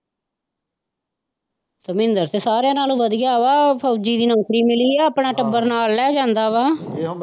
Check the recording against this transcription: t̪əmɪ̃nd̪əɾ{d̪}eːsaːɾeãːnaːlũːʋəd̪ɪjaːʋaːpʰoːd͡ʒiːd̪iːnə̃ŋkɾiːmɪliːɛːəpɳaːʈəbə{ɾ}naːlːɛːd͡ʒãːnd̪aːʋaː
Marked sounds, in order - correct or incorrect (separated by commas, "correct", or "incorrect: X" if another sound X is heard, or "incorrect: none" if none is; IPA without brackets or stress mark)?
incorrect: t̪, correct